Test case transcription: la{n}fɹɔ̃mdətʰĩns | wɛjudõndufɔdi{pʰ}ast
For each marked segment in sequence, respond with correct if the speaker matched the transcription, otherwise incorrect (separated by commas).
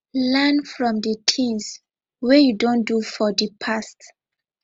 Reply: correct, correct